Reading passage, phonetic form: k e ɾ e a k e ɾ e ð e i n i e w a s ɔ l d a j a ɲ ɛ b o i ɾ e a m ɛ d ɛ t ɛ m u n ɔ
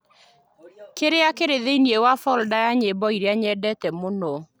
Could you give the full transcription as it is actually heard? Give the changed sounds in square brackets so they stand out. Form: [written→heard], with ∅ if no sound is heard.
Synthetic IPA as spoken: k e ɾ e a k e ɾ e ð e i n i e w a [s→f] ɔ l d a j a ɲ [ɛ→e] b [o→ɔ] i ɾ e a [m→ɲ] ɛ d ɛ t ɛ m [u→o] n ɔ